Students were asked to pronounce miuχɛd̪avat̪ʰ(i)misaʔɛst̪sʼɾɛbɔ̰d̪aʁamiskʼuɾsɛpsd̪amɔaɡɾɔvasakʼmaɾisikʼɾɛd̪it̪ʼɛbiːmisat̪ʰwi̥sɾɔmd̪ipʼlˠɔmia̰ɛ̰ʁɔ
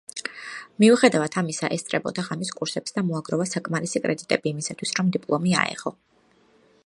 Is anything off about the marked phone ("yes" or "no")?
yes